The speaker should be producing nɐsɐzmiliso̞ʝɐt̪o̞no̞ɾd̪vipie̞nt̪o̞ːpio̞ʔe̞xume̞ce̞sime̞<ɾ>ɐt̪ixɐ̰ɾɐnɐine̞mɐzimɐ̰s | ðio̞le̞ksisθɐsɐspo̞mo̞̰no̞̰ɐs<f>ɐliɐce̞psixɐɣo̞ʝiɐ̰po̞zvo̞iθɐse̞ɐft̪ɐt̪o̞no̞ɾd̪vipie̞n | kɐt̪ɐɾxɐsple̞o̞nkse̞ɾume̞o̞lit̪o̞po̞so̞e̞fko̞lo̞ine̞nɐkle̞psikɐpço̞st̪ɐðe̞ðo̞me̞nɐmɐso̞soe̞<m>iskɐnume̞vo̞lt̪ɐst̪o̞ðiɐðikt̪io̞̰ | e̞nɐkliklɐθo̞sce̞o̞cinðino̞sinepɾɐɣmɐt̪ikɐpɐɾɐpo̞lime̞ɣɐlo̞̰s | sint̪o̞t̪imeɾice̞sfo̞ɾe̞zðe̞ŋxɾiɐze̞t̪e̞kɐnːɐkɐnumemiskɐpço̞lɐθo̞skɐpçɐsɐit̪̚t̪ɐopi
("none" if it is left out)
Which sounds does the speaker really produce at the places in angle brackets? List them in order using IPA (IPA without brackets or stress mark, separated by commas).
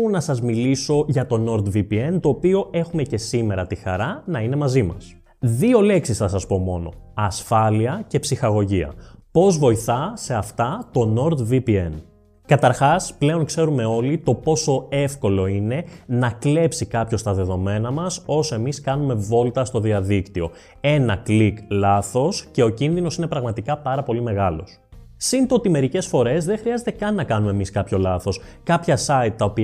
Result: ɾ, f, m